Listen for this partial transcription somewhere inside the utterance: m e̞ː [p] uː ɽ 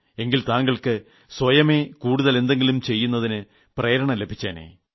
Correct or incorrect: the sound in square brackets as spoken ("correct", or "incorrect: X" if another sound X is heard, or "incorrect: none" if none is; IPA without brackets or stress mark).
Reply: incorrect: k